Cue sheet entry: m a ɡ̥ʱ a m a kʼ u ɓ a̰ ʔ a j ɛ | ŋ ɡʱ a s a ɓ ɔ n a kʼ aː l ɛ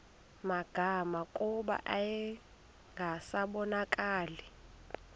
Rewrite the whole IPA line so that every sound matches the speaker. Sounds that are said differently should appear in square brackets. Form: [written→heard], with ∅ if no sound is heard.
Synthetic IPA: m a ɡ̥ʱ a m a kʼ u ɓ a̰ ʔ a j ɛ | ŋ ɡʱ a s a ɓ ɔ n a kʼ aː l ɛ

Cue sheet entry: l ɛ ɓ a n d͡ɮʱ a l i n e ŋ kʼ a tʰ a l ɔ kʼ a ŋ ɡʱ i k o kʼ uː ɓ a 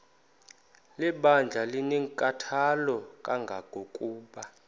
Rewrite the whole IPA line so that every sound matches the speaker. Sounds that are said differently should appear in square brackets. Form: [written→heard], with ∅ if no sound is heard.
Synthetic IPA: l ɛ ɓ a n d͡ɮʱ a l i n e ŋ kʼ a tʰ a l ɔ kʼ a ŋ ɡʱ [i→a] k o kʼ uː ɓ a

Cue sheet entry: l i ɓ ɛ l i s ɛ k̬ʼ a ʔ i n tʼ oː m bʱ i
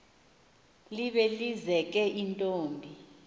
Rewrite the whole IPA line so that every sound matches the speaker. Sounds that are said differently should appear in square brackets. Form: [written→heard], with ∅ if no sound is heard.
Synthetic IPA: l i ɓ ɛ l i [s→z] ɛ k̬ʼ [a→ɛ] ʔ i n tʼ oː m bʱ i

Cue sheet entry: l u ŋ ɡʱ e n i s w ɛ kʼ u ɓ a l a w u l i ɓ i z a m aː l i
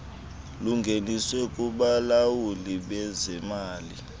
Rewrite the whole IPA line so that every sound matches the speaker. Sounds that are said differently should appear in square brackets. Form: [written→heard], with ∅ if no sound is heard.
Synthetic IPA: l u ŋ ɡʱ e n i s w ɛ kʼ u ɓ a l a w u l i ɓ [i→ɛ] z [a→ɛ] m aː l i

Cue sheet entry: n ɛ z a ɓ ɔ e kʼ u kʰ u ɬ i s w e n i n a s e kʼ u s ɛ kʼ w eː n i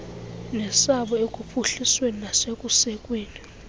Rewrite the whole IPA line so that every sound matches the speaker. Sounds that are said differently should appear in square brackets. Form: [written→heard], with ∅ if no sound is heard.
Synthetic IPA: n ɛ [z→s] a ɓ ɔ e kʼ u [kʰ→pʰ] u ɬ i s w e n i n a s e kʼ u s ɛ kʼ w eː n i

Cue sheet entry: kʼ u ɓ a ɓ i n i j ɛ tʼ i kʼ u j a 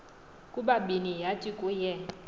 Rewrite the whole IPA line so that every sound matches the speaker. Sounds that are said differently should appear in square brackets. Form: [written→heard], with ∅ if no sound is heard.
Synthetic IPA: kʼ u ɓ a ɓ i n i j [ɛ→a] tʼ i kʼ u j [a→ɛ]

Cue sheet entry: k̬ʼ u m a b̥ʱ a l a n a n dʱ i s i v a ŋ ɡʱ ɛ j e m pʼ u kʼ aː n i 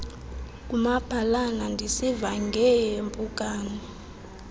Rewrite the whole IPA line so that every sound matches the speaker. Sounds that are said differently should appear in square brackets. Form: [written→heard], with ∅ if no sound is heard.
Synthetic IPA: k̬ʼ u m a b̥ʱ a l a n a n dʱ i s i v a ŋ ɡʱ ɛ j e m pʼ u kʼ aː n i

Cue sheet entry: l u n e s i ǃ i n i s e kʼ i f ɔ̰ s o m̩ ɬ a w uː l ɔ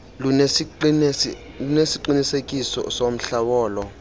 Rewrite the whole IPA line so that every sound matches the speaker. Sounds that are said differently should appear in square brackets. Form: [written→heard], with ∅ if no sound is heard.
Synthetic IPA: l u n e s i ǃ i n i s e kʼ i [f→s] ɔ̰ s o m̩ ɬ a w [uː→ɔː] l ɔ

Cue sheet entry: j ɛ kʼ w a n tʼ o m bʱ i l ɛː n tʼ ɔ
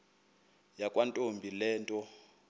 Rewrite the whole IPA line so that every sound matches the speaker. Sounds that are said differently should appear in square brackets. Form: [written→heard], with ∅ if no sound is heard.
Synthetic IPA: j [ɛ→a] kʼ w a n tʼ o m bʱ i l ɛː n tʼ ɔ

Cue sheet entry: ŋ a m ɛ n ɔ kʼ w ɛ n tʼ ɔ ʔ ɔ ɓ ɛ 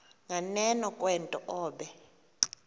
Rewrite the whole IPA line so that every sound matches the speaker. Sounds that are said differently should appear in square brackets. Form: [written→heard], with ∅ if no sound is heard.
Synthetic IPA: ŋ a [m→n] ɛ n ɔ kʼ w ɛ n tʼ ɔ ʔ [ɔ→ɔː] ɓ ɛ

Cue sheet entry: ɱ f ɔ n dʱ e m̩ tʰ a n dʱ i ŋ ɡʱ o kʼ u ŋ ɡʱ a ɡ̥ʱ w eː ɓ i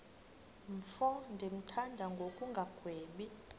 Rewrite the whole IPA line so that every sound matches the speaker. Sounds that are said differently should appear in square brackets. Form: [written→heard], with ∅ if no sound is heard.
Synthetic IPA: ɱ f ɔ n dʱ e m̩ tʰ a n dʱ [i→a] ŋ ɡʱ o kʼ u ŋ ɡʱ a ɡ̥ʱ w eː ɓ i

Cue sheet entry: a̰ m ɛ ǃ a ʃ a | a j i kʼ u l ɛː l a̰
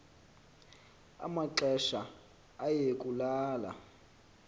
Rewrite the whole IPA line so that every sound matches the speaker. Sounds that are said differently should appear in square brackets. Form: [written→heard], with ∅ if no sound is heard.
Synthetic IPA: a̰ m [ɛ→a] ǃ [a→ɛ] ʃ a | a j [i→e] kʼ u l [ɛː→aː] l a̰

